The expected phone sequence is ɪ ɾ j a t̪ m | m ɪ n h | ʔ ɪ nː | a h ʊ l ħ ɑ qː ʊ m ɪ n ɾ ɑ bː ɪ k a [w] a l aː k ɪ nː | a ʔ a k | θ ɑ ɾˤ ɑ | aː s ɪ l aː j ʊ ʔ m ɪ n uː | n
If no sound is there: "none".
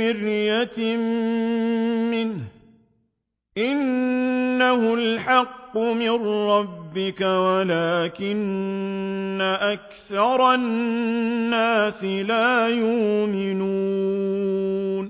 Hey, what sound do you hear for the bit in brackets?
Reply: w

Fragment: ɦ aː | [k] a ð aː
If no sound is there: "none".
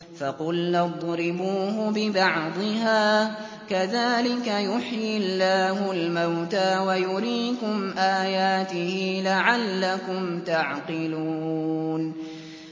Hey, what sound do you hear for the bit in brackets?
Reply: k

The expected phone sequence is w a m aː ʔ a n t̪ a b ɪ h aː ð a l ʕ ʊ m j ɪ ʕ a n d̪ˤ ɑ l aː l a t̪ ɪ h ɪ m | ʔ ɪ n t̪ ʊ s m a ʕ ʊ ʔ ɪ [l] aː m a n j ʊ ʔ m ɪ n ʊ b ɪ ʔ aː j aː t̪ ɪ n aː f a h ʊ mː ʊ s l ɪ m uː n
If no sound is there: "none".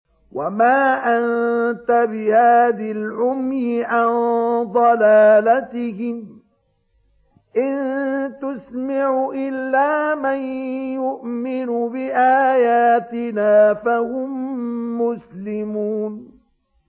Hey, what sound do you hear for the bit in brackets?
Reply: lː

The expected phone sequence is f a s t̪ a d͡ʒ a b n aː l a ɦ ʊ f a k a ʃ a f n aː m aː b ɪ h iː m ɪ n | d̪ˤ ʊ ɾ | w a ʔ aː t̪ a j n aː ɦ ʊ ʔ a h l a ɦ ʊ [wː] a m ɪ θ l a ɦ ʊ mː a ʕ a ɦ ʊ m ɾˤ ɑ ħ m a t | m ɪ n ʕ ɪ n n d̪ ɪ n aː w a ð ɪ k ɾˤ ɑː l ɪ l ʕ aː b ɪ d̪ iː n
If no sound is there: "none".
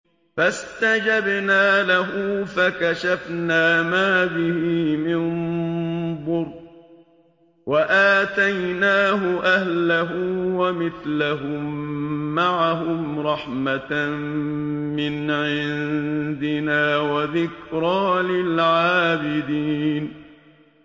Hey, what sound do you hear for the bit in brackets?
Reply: w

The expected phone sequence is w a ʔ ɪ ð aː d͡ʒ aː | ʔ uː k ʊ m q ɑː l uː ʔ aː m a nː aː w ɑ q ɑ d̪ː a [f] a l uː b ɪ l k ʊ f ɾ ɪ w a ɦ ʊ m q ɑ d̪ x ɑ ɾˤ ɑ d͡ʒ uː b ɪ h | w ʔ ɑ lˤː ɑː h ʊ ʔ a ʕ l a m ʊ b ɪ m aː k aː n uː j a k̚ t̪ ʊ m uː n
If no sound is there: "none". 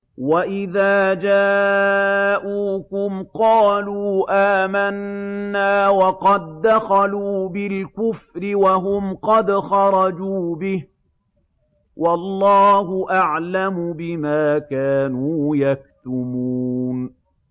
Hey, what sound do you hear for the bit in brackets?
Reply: x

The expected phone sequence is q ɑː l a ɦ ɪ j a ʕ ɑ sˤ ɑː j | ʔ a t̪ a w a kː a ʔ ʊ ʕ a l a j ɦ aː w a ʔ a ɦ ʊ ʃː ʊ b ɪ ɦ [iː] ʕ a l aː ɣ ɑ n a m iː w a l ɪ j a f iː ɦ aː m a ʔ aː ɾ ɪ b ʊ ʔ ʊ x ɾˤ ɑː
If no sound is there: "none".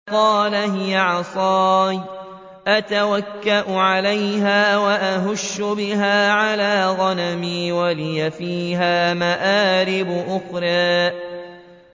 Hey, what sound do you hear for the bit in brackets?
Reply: aː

